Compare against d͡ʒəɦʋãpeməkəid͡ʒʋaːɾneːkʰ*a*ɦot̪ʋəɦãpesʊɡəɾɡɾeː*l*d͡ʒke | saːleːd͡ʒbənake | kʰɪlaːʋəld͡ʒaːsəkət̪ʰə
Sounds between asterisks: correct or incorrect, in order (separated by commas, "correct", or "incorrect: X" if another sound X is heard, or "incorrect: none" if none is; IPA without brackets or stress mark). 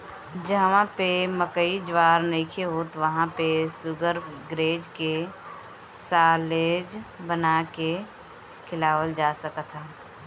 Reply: incorrect: e, incorrect: none